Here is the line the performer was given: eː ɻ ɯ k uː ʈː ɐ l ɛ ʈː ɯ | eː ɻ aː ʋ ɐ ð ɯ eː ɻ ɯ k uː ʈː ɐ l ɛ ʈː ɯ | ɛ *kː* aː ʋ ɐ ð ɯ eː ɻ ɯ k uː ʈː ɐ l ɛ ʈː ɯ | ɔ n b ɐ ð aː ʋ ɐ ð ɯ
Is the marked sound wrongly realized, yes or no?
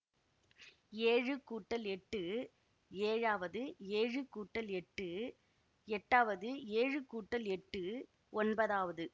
yes